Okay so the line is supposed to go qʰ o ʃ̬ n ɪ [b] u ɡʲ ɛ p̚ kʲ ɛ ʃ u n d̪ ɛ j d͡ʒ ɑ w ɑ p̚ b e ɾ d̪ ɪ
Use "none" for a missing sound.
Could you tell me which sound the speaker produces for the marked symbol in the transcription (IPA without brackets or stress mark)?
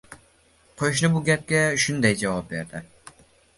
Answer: b